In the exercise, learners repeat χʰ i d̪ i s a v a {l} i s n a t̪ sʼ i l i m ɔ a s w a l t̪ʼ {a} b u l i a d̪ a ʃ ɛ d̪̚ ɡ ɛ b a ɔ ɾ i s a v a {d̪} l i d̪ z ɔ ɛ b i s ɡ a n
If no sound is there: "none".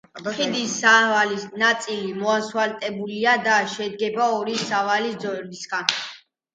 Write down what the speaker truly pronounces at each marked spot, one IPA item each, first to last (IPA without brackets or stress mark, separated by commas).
l, ɛ, none